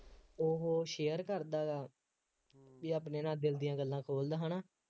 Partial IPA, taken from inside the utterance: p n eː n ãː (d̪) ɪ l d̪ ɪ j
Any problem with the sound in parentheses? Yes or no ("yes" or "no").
no